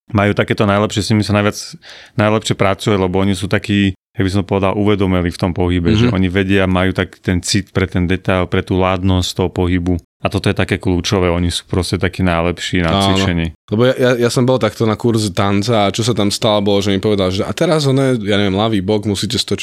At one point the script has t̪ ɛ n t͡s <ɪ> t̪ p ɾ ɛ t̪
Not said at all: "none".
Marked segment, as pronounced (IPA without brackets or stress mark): i